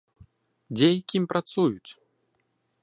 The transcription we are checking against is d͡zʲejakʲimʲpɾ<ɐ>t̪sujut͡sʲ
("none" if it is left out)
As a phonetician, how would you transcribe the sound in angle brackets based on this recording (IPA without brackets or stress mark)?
a